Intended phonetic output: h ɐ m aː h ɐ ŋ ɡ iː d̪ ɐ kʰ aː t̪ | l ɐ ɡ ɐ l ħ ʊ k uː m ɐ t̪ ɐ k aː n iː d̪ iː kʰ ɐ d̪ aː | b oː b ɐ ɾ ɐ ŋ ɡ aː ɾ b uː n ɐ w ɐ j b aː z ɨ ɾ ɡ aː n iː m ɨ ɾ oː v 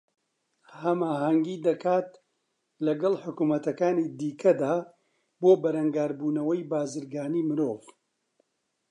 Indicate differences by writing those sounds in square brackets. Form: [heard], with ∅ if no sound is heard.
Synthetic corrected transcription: h ɐ m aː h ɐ ŋ ɡ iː d̪ ɐ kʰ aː t̪ | l ɐ ɡ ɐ l ħ ʊ k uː m ɐ t̪ ɐ k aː n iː d̪ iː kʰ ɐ d̪ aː | b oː b ɐ ɾ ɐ ŋ ɡ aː ɾ b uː n ɐ w ɐ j b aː z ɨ ɾ ɡ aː n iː m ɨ ɾ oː v